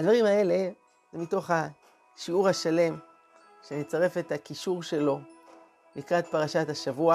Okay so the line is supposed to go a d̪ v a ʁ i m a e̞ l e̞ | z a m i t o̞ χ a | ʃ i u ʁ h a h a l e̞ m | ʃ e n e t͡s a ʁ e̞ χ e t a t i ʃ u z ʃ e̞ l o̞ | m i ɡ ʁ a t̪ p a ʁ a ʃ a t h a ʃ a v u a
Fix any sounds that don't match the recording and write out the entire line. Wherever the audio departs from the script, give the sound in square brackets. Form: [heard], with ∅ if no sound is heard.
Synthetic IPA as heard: a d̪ v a ʁ i m a e̞ l e̞ | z [e] m i t o̞ χ a | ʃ i u ʁ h a [ʃ] a l e̞ m | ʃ e n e t͡s a ʁ e̞ [f] e t a [k] i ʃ u [ʁ] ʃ e̞ l o̞ | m i [k] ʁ a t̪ p a ʁ a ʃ a t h a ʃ a v u a